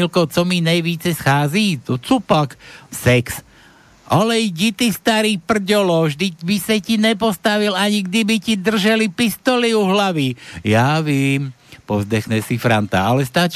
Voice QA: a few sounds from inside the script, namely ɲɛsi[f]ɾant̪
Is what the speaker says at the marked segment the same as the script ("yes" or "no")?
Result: yes